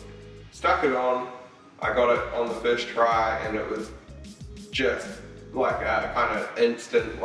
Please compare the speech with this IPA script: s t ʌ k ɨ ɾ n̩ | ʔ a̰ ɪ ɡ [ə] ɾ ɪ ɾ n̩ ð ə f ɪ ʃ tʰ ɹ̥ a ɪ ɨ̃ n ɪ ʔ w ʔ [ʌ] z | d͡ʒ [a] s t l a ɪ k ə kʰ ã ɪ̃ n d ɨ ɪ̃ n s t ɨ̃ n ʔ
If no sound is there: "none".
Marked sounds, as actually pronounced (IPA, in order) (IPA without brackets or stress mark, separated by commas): ɑ, ʌ, ʌ